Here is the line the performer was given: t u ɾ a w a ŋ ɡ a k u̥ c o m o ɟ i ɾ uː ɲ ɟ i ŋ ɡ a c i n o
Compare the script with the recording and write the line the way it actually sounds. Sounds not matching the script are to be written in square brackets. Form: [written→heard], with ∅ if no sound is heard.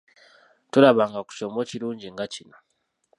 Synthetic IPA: t u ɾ a [w→β] a ŋ ɡ a k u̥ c o m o [ɟ→c] i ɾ uː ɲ ɟ i ŋ ɡ a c i n o